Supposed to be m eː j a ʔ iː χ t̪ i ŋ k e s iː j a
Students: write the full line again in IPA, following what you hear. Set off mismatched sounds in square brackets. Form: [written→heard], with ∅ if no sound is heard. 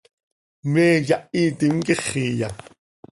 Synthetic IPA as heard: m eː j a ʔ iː [χ→∅] t̪ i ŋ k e [s→χ] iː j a